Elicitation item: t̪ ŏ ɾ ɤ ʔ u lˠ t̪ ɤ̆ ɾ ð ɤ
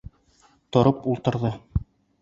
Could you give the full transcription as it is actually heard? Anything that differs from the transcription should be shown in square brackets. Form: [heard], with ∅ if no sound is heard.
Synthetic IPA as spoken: t̪ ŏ ɾ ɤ [p] u lˠ t̪ ɤ̆ ɾ ð ɤ